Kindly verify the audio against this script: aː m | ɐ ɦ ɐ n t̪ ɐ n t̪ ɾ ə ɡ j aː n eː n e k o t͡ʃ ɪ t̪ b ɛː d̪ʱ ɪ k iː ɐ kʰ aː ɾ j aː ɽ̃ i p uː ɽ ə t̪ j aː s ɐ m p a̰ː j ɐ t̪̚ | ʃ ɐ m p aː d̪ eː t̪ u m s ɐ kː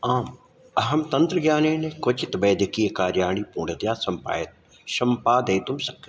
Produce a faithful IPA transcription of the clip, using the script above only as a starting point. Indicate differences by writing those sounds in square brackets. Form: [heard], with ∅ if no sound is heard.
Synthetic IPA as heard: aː m | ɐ ɦ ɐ [m] t̪ ɐ n t̪ ɾ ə ɡ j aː n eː n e k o t͡ʃ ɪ t̪ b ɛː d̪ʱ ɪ k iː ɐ [k] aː ɾ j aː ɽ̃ i p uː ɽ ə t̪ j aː s ɐ m p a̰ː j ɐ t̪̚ | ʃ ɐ m p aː d̪ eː t̪ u m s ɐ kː